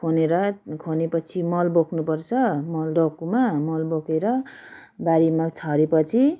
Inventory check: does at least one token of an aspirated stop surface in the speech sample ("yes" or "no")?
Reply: yes